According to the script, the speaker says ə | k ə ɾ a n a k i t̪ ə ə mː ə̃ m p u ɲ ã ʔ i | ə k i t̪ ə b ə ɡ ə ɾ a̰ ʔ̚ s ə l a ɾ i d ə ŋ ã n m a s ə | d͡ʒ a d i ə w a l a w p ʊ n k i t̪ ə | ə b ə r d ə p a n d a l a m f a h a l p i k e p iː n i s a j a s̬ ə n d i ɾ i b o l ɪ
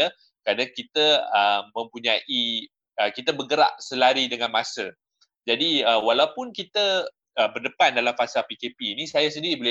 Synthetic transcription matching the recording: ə | k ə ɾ a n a k i t̪ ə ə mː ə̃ m p u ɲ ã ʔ i | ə k i t̪ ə b ə ɡ ə ɾ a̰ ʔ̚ s ə l a ɾ i d ə ŋ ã n m a s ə | d͡ʒ a d i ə w a l a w p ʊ n k i t̪ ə | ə b ə r d ə p a n d a l a m f a s a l p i k e p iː n i s a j a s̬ ə n d i ɾ i b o l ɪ